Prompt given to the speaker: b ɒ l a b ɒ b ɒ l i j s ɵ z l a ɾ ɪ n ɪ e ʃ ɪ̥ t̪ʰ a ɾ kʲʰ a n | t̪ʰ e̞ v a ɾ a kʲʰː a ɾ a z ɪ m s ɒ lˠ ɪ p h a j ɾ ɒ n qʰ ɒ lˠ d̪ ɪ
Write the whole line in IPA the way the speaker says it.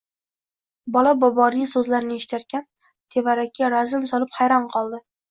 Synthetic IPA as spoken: b ɒ l a b ɒ b ɒ ɾ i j s ɵ z l a ɾ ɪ n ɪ e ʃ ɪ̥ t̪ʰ a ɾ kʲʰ a n | t̪ʰ e̞ v a ɾ a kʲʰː a ɾ a z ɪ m s ɒ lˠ ɪ p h a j ɾ ɒ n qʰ ɒ lˠ d̪ ɪ

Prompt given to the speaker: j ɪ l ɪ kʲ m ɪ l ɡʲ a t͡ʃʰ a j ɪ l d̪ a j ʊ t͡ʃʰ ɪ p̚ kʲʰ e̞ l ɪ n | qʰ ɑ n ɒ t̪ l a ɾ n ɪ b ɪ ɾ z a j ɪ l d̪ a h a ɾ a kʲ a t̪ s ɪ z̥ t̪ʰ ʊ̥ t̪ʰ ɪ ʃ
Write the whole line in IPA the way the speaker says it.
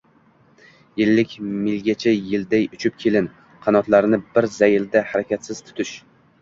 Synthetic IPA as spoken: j ɪ lː ɪ kʲ m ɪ l ɡʲ a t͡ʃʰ a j ɪ l d̪ a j ʊ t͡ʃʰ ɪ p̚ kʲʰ e̞ l ɪ n | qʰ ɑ n ɒ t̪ l a ɾ n ɪ b ɪ ɾ z a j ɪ l d̪ a h a ɾ a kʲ a t̪ s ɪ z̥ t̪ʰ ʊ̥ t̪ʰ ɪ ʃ

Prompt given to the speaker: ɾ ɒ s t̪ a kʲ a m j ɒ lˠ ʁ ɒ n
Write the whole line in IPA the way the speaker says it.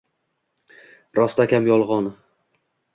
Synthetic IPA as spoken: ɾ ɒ s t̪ a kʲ a m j ɒ lˠ ʁ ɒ n

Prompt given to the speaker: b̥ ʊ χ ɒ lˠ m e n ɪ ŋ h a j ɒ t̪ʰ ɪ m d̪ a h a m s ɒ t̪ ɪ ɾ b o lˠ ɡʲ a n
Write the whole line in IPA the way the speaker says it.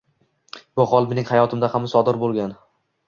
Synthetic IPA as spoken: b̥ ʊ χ ɒ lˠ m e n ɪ ŋ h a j ɒ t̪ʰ ɪ m d̪ a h a m s ɒ d̪ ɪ ɾ b o lˠ ɡʲ a n

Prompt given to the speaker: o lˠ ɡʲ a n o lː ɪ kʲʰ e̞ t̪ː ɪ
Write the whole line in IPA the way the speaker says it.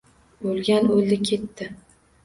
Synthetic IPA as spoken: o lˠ ɡʲ a n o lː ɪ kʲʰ e̞ t̪ː ɪ

